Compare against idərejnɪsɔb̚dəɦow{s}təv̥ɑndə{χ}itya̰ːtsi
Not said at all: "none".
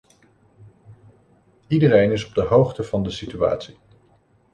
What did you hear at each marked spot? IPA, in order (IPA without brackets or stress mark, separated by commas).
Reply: χ, s